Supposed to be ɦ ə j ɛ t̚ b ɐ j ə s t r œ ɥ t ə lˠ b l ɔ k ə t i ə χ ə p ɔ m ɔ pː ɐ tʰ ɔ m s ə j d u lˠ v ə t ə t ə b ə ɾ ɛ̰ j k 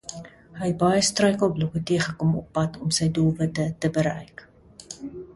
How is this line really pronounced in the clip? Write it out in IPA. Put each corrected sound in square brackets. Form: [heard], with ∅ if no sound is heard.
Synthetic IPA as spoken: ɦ ə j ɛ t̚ b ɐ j ə s t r œ ɥ [k] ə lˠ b l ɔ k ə t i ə χ ə [k] ɔ m ɔ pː ɐ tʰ ɔ m s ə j d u lˠ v ə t ə t ə b ə ɾ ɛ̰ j k